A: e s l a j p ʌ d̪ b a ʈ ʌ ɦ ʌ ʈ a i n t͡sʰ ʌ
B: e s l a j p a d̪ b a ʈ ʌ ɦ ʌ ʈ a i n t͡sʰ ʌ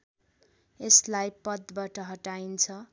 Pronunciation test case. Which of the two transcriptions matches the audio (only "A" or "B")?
A